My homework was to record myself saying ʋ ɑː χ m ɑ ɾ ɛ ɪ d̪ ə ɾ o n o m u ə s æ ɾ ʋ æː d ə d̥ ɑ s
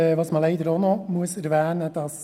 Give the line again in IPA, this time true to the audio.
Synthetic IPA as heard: ʋ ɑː s m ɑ l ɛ ɪ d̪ ə ɾ o n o m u ə s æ ɾ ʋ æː n ə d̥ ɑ s